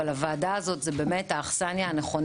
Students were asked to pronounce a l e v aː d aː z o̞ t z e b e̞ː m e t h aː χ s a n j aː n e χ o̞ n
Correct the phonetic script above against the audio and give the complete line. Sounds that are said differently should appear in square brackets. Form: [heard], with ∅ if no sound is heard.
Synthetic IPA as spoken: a l [a] v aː d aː z o̞ t z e b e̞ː m e t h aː χ s a n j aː n e χ o̞ n